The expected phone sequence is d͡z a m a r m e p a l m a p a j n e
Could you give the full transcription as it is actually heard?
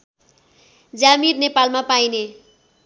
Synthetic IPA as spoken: d͡z a m i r n e p a l m a p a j n e